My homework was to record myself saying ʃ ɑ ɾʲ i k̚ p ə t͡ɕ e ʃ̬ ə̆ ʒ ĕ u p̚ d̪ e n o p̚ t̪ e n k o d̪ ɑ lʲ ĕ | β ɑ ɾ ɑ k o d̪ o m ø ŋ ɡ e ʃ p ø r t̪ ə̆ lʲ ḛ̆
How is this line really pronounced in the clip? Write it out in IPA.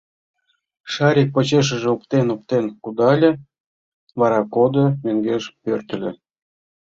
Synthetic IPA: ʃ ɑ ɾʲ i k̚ p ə t͡ɕ e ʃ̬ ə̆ ʒ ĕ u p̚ t̪ e n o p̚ t̪ e n k u d̪ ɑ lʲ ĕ | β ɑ ɾ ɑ k o d̪ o m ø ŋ ɡ e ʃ p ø r t̪ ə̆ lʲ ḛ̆